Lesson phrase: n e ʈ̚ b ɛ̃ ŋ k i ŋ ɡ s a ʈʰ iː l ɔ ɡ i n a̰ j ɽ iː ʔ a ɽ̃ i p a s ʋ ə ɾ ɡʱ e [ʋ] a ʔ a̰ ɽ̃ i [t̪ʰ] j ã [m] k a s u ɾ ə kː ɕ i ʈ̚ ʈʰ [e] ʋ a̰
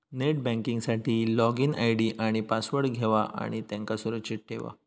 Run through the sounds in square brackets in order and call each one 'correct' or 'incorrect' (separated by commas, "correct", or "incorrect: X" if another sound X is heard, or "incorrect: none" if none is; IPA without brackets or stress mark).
correct, incorrect: t̪, incorrect: ŋ, correct